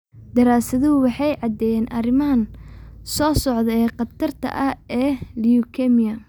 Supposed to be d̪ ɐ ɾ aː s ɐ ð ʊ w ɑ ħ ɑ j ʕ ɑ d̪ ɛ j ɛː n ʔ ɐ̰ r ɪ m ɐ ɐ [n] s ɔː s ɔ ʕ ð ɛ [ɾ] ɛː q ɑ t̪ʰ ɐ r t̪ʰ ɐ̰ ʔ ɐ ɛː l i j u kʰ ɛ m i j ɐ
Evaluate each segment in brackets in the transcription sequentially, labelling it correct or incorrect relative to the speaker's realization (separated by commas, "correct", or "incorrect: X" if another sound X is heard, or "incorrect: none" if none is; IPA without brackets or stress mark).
correct, incorrect: none